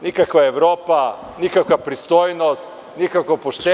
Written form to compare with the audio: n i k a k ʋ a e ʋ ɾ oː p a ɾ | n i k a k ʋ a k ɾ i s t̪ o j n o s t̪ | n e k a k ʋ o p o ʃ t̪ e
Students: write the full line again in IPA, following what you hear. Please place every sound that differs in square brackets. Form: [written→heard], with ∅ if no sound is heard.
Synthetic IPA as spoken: n i k a k ʋ a e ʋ ɾ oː p a [ɾ→∅] | n i k a k ʋ a [k→p] ɾ i s t̪ o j n o s t̪ | n [e→i] k a k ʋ o p o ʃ t̪ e